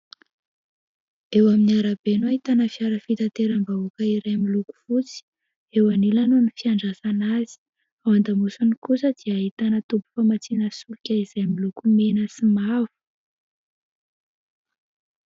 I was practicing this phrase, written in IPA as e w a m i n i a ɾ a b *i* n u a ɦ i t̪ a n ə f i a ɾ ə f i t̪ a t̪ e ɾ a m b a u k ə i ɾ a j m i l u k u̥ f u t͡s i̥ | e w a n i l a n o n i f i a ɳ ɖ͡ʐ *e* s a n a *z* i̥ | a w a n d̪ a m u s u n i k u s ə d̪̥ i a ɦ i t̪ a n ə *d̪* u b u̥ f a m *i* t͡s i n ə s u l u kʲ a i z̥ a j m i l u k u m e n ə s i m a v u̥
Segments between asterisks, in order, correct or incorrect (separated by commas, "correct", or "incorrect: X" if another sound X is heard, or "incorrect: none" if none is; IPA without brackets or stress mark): incorrect: e, incorrect: a, correct, incorrect: t̪, incorrect: a